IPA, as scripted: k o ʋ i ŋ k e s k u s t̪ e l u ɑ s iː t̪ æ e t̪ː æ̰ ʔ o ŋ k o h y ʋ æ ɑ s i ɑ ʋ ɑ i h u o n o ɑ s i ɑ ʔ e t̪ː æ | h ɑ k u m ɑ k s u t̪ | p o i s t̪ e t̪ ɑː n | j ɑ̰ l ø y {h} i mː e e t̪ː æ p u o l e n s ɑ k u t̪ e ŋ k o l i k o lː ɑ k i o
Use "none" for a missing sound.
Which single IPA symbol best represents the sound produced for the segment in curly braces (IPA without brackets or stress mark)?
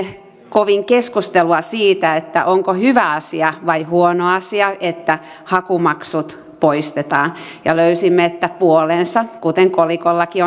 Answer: s